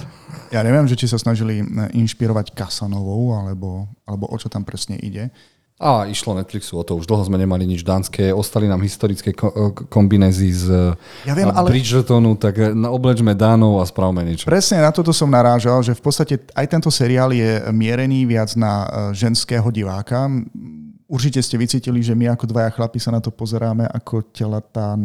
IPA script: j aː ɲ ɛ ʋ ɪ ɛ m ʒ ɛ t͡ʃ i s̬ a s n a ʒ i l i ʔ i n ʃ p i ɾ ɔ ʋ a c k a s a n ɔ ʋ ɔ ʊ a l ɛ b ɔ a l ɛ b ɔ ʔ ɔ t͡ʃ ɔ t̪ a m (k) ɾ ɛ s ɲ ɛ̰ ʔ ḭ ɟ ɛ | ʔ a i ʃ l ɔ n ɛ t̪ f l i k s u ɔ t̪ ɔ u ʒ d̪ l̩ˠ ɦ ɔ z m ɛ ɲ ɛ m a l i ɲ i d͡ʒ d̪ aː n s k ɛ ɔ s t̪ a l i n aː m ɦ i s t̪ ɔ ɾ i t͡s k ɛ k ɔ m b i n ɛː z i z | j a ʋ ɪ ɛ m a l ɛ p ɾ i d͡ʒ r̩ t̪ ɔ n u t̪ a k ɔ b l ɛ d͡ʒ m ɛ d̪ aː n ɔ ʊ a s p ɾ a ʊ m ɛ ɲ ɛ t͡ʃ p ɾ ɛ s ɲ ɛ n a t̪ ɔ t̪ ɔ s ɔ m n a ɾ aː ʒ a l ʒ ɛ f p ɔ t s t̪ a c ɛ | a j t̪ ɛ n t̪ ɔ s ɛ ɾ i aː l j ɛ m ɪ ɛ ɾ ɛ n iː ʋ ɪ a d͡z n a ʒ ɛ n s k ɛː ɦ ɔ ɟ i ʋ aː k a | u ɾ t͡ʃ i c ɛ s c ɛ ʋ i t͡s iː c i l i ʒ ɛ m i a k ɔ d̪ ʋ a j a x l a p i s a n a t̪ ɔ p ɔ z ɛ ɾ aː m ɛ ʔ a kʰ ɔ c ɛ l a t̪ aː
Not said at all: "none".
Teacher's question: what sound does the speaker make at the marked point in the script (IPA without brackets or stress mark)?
p